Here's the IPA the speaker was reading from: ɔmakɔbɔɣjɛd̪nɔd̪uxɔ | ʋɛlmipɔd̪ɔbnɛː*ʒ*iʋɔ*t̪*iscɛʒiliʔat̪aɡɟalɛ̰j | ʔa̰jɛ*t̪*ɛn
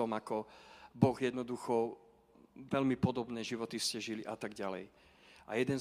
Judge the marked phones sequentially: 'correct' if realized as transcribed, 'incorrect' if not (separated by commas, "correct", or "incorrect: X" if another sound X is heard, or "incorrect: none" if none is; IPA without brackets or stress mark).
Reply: correct, correct, incorrect: d̪